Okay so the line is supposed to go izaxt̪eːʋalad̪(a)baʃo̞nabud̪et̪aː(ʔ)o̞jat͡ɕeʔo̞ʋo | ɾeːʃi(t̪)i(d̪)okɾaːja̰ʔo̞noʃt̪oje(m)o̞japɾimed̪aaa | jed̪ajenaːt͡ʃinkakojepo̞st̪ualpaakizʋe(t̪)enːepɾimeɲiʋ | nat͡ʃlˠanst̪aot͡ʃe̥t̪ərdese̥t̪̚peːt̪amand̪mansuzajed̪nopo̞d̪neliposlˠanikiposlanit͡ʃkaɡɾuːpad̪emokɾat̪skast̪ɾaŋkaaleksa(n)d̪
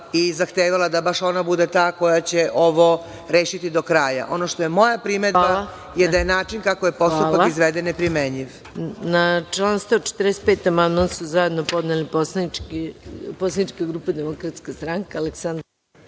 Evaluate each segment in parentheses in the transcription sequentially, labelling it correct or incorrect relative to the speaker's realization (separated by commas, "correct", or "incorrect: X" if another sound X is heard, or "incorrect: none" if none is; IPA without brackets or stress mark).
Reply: correct, incorrect: k, correct, correct, correct, incorrect: d̪, correct